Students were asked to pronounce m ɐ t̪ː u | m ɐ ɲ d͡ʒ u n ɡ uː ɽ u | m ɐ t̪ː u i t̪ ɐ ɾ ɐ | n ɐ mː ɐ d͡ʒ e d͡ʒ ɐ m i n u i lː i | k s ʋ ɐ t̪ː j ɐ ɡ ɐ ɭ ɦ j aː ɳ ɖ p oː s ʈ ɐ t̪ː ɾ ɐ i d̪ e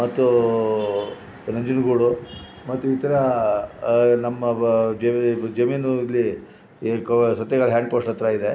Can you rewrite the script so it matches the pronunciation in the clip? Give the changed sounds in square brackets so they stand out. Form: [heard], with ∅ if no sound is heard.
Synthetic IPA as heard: m ɐ t̪ː u | [n] ɐ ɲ d͡ʒ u n ɡ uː ɽ u | m ɐ t̪ː u i t̪ ɐ ɾ ɐ | n ɐ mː ɐ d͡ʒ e d͡ʒ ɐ m i n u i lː i | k s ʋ ɐ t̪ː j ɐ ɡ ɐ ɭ ɦ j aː ɳ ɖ p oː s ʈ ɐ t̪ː ɾ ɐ i d̪ e